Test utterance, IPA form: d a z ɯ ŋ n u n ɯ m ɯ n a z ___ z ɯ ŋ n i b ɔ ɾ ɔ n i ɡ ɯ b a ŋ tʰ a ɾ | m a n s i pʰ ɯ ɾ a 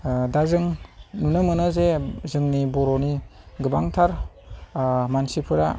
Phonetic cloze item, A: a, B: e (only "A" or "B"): B